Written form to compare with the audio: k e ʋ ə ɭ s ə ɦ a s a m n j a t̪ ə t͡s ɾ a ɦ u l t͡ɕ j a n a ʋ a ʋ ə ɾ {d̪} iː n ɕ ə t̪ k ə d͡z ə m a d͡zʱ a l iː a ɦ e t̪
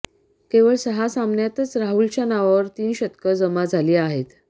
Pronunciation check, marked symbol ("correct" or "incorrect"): incorrect